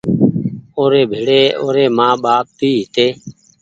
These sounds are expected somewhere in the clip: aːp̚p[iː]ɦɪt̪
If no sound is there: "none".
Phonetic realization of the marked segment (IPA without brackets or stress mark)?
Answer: iː